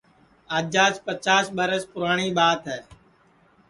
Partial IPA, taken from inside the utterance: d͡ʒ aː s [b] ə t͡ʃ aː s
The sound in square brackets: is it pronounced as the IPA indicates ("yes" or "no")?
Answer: no